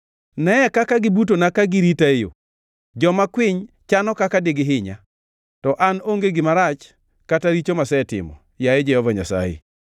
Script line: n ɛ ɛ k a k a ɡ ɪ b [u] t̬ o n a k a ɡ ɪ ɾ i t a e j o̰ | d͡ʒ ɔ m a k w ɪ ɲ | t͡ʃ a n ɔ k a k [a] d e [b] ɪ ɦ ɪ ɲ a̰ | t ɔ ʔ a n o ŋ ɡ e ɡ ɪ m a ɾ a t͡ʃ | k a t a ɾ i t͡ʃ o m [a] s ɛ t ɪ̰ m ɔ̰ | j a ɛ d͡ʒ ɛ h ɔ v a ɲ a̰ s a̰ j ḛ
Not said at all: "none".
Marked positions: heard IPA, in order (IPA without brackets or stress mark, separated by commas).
u, a, ɡ, a